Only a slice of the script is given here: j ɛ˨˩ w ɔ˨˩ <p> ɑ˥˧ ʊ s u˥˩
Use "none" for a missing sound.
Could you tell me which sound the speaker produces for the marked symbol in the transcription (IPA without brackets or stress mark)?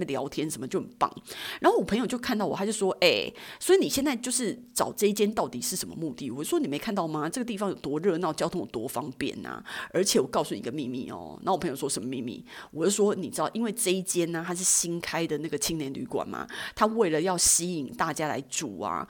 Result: k